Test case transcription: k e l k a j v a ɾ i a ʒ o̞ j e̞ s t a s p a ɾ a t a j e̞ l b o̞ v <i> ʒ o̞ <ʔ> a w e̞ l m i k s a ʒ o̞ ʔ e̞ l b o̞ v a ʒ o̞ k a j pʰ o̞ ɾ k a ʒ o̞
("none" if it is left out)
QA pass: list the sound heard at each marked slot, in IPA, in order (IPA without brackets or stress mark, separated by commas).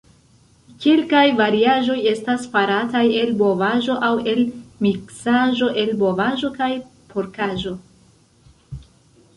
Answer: a, ʔ